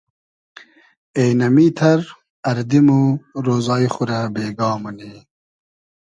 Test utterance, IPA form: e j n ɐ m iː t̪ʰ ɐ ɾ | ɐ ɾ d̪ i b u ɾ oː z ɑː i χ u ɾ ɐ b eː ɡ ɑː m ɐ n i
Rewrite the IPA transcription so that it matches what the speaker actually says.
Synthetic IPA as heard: e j n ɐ m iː t̪ʰ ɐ ɾ | ɐ ɾ d̪ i m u ɾ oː z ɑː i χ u ɾ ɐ b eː ɡ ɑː m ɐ n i